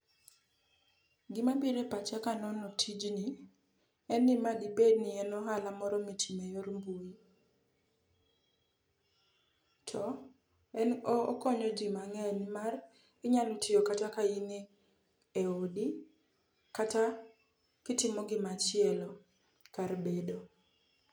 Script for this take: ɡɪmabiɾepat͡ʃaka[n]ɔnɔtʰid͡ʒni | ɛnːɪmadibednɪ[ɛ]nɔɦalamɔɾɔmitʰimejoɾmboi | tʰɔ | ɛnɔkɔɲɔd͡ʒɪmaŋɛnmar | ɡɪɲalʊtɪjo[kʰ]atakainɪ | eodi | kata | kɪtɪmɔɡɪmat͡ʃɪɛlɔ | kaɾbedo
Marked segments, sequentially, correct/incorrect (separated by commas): correct, correct, incorrect